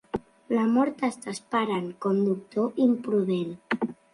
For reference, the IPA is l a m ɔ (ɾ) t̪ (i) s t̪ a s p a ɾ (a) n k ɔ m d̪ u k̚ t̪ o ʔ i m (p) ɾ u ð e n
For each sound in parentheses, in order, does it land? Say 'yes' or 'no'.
yes, no, yes, yes

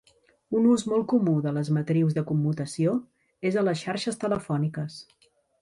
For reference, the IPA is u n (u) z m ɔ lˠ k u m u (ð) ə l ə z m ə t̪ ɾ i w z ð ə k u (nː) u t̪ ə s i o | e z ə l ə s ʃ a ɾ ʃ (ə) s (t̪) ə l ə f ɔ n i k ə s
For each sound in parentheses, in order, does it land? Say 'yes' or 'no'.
yes, yes, no, yes, yes

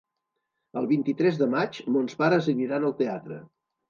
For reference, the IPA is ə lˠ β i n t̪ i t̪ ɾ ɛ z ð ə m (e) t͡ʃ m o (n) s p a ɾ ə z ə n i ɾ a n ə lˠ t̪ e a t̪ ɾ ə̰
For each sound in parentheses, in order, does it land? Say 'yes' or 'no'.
no, yes

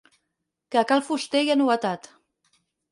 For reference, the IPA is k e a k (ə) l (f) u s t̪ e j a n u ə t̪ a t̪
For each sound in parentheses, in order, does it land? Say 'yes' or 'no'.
no, yes

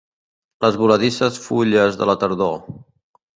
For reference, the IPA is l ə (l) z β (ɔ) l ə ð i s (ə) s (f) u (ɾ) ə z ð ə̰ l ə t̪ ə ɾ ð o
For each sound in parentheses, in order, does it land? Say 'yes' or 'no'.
no, no, yes, yes, no

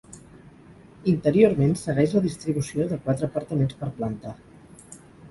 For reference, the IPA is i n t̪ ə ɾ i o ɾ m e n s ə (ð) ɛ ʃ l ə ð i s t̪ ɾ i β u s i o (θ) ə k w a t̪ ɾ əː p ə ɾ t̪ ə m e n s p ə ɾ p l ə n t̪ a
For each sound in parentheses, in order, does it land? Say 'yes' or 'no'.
no, no

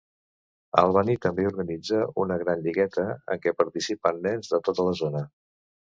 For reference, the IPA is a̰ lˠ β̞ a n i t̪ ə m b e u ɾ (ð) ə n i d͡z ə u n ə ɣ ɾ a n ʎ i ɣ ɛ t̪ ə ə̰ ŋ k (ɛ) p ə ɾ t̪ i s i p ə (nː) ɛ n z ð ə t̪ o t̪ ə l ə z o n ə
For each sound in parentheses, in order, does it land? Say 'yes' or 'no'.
no, yes, yes

